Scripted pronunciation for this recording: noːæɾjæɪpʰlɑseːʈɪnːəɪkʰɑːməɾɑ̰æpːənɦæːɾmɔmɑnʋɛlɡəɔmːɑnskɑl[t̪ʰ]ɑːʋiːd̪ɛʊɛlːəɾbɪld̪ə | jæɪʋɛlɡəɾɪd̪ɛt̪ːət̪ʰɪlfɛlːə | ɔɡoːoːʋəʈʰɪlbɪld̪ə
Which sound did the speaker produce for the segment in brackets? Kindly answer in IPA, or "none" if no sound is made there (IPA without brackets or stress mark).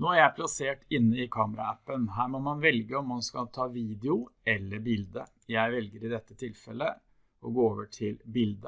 t̪ʰ